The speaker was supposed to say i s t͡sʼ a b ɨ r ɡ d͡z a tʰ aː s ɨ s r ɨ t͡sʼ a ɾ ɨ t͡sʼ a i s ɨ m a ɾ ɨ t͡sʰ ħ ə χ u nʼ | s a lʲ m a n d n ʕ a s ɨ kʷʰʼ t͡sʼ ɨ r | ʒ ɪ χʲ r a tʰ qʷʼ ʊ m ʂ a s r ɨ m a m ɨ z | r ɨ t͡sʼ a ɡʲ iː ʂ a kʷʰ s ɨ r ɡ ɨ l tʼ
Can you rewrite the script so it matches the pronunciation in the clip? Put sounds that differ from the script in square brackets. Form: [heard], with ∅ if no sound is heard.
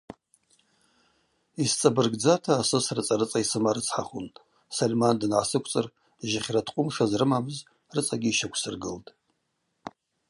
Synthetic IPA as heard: i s t͡sʼ a b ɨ r ɡ d͡z a tʰ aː s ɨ s r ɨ t͡sʼ a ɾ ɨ t͡sʼ a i s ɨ m a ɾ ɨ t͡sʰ ħ [a] χ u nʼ | s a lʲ m a n d n ʕ a s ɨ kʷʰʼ t͡sʼ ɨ r | ʒ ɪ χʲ r a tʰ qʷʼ ʊ m ʂ a [z] r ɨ m a m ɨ z | r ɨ t͡sʼ a ɡʲ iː [ʃ] a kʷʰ s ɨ r ɡ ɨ l tʼ